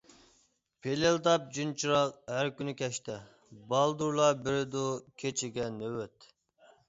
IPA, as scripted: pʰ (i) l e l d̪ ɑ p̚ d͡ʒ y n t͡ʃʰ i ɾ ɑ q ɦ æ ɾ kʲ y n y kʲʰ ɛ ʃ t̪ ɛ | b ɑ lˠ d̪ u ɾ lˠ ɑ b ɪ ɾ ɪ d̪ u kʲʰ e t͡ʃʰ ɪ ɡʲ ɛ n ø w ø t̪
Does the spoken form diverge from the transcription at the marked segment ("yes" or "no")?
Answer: yes